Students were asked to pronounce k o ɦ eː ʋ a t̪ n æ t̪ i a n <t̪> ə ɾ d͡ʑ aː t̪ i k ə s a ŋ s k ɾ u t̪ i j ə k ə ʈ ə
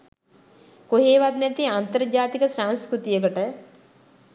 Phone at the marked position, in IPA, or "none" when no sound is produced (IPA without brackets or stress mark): t̪